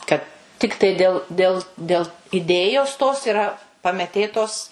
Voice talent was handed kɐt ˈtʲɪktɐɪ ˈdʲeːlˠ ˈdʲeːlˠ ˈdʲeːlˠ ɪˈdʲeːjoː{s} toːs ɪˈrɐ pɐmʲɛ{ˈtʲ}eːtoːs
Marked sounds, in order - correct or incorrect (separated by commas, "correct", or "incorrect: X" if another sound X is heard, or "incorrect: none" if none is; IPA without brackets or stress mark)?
correct, correct